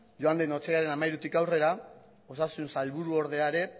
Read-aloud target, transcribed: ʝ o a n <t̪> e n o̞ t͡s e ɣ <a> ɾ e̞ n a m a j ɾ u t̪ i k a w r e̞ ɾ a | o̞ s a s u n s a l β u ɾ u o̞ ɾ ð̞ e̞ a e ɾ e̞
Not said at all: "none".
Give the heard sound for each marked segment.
d̪, a

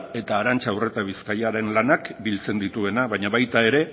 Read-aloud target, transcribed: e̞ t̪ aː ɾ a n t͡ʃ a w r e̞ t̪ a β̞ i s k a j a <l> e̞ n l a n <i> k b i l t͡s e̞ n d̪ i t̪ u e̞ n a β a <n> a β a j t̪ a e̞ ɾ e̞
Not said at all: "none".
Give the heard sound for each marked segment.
ɾ, a, ɲ

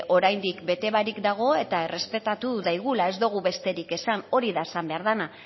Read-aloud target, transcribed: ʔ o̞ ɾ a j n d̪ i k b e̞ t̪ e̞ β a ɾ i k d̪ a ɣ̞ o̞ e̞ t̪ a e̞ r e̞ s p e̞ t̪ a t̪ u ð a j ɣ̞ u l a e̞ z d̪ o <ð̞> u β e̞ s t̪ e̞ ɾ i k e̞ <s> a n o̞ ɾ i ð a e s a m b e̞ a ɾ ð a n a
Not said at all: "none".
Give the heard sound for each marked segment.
ɣ̞, s

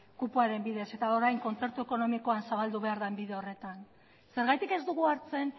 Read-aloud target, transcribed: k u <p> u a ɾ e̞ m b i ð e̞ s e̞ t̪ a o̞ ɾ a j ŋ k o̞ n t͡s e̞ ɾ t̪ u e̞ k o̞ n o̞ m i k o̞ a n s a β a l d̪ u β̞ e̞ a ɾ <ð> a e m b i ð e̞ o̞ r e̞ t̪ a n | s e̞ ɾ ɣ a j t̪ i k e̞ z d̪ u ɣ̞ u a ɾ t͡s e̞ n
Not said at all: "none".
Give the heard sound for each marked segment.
p, ð

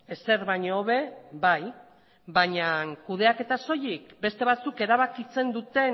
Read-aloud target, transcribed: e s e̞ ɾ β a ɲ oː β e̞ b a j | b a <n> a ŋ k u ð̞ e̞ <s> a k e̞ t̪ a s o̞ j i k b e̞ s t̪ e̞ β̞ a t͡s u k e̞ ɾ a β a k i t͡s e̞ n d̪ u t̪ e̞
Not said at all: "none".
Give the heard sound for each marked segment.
ɲ, none

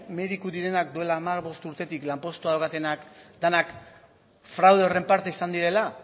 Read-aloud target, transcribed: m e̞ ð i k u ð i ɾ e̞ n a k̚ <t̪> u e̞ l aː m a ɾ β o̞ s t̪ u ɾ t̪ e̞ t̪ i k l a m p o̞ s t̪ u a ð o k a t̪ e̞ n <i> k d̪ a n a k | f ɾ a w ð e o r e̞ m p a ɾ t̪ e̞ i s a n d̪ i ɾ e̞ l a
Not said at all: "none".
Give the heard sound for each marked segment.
d̪, a

